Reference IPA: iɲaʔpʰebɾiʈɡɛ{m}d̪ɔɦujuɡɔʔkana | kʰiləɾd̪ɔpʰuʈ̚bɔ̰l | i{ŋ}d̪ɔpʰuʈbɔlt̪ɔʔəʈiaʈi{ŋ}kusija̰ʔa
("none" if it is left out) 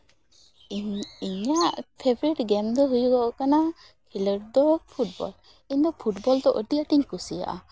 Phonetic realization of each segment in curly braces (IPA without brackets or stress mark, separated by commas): m, ɲ, ɲ